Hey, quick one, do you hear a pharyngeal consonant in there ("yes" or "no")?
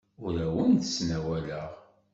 no